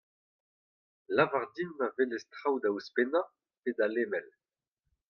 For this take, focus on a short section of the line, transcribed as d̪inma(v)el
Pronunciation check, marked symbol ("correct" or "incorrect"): correct